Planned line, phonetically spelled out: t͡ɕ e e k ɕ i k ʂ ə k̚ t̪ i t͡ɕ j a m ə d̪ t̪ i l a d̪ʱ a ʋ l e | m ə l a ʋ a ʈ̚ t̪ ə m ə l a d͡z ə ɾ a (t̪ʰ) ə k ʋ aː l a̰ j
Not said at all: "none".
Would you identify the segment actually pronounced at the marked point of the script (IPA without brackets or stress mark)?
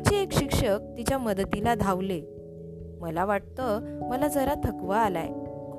t̪ʰ